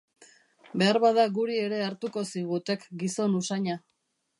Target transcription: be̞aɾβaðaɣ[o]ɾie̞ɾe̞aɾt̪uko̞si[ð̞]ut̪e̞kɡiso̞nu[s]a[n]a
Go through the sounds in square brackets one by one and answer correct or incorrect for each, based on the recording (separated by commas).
incorrect, incorrect, correct, incorrect